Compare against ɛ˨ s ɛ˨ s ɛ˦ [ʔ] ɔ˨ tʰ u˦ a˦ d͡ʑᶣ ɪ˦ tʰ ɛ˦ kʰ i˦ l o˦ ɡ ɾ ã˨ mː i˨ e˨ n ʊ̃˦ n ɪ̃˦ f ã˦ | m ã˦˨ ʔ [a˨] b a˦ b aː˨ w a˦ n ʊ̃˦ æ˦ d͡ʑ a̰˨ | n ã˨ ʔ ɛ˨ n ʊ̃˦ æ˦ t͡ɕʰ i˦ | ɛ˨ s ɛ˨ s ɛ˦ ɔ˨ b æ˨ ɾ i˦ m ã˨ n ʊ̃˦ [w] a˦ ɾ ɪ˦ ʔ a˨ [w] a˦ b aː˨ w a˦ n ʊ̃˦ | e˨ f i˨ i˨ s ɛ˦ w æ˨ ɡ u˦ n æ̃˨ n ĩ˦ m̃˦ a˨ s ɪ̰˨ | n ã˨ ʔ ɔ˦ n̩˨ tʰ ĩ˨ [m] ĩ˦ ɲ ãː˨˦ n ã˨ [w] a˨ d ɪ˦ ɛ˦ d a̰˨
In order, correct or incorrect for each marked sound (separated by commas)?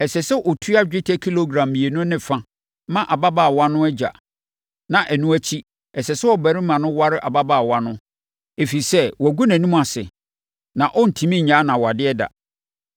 correct, correct, correct, incorrect, correct, correct